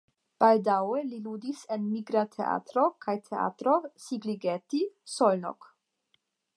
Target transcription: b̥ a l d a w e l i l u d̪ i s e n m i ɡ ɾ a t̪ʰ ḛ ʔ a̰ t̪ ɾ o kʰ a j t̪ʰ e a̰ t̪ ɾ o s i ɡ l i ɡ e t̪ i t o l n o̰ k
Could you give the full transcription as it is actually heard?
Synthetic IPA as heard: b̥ a l d a w e l i l u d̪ i s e n m i ɡ ɾ a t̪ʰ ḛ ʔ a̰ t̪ ɾ o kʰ a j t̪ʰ e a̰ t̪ ɾ o s i ɡ l i ɡ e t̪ i s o l n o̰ k